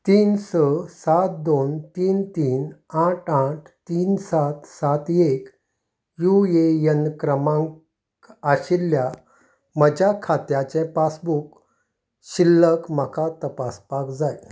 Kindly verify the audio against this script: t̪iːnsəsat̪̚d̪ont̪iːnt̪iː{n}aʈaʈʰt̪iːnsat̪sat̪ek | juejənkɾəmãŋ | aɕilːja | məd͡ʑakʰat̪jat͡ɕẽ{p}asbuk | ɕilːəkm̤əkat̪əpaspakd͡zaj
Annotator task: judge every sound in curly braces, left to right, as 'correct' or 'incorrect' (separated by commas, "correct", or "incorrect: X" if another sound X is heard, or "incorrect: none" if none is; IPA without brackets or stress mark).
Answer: correct, correct